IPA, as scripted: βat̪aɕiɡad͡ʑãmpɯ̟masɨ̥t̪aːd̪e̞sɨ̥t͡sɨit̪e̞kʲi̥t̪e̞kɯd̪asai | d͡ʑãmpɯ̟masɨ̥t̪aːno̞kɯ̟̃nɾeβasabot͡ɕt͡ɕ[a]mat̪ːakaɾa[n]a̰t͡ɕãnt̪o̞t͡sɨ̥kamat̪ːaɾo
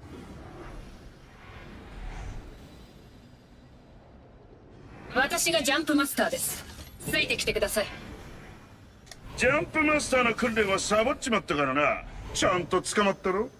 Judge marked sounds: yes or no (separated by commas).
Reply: no, yes